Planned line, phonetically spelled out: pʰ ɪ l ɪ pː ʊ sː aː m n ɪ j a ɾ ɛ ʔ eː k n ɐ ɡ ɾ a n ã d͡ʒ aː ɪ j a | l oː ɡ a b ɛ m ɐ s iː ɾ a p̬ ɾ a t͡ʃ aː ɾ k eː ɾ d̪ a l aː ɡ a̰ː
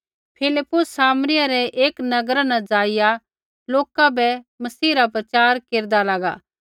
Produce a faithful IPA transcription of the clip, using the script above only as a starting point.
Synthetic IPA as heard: pʰ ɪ l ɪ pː ʊ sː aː m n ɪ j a ɾ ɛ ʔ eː k n ɐ ɡ ɾ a n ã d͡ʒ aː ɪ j a | l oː k a b ɛ m ɐ s iː ɾ a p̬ ɾ ɐ t͡ʃ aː ɾ k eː ɾ d̪ a l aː ɡ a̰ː